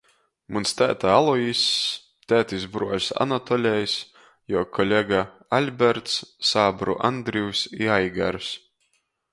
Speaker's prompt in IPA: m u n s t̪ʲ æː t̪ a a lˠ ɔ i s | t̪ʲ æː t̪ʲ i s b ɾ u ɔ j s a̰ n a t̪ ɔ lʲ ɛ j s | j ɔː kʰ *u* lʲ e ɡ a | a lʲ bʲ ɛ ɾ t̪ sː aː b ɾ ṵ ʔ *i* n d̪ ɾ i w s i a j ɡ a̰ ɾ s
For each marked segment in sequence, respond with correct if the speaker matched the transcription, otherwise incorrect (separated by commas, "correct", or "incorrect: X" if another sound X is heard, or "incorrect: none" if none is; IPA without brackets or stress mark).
incorrect: ɔ, incorrect: a